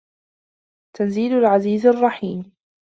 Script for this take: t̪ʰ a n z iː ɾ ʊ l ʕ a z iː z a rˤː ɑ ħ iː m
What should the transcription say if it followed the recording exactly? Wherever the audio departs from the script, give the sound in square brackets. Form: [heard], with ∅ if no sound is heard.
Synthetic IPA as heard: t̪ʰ a n z iː [l] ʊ l ʕ a z iː z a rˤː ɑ ħ iː m